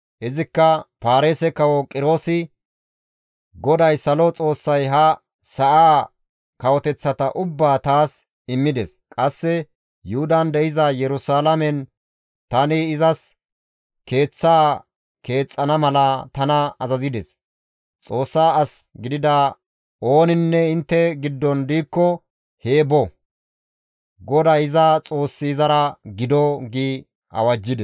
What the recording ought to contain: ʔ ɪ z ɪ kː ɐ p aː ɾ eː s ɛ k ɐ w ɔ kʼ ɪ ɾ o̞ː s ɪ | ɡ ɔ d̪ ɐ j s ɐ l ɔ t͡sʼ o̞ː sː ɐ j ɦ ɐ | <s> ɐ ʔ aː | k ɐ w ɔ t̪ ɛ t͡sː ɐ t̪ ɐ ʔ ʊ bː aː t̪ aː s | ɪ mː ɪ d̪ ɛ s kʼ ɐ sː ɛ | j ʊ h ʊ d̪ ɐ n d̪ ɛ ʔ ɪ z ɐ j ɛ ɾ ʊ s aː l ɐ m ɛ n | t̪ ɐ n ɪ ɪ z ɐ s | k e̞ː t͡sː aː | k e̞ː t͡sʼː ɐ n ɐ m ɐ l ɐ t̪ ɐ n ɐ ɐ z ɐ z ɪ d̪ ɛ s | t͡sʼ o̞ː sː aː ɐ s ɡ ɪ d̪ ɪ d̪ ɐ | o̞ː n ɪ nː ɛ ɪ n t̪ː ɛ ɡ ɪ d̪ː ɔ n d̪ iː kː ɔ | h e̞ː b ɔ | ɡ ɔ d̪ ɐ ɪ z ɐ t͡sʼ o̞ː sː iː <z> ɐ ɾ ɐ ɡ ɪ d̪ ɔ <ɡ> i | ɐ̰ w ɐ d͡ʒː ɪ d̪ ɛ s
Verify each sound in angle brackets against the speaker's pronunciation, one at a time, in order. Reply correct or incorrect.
correct, correct, correct

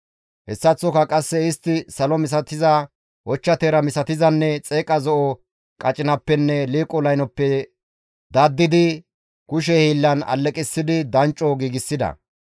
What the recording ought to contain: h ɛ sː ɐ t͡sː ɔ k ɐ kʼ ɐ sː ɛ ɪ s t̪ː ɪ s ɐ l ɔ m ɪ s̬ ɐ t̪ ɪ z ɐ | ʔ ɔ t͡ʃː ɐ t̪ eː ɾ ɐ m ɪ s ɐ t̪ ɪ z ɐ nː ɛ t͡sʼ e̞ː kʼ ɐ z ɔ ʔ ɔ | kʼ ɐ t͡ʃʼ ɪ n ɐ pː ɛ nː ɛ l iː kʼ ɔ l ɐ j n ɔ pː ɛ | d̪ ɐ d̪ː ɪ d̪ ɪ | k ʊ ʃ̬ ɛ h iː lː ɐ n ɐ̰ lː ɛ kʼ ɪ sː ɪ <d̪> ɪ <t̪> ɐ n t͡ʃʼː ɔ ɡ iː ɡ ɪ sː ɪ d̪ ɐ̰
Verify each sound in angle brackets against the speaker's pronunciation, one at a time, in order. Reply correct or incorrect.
correct, incorrect: d̪

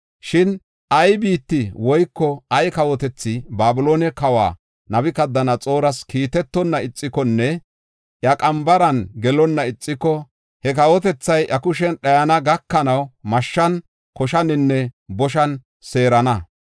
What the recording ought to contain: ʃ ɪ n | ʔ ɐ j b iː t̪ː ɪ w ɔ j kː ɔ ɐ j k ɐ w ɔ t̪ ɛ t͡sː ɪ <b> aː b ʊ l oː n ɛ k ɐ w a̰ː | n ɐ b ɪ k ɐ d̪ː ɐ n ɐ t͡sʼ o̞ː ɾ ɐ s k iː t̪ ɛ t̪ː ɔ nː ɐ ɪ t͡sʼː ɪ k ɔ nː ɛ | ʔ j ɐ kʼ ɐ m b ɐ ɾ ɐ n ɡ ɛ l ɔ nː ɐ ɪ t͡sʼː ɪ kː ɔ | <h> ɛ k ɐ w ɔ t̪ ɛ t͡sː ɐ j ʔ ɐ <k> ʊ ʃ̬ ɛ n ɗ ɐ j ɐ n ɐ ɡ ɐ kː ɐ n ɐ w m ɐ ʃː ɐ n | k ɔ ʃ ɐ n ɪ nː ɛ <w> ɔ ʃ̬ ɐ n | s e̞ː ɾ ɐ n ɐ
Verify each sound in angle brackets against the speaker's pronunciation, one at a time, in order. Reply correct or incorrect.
correct, correct, correct, incorrect: b

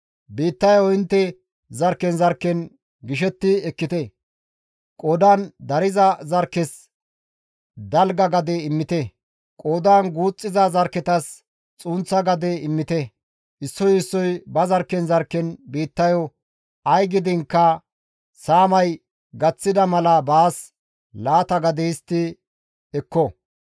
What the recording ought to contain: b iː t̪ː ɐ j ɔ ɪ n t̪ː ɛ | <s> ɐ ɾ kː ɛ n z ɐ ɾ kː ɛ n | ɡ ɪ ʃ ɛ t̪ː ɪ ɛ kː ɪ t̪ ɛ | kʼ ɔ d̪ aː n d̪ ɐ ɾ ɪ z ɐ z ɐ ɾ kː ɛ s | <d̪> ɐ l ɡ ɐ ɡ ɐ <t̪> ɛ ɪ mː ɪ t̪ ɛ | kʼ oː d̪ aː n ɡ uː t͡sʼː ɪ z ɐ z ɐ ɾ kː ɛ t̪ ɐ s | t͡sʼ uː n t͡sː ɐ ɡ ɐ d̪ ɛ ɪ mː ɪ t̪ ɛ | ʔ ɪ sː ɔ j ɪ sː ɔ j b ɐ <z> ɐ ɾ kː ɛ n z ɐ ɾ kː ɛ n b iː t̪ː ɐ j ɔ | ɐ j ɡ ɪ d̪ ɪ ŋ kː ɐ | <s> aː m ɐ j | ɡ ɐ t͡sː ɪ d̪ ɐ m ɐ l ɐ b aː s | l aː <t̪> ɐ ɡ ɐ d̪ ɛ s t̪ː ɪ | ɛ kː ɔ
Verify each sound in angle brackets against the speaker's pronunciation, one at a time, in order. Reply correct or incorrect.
incorrect: z, correct, incorrect: d̪, correct, correct, correct

